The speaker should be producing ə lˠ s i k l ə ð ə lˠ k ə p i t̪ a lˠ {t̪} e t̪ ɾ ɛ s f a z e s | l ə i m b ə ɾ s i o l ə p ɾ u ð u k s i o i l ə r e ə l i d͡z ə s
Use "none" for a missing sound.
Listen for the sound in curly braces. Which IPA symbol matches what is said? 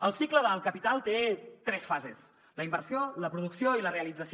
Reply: t̪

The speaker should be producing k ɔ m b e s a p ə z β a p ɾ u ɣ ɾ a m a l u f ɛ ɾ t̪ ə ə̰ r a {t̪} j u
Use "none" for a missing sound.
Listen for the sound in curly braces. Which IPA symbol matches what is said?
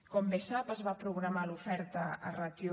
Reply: t̪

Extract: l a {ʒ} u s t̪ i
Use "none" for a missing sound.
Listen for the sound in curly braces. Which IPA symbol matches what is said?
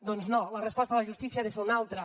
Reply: ʒ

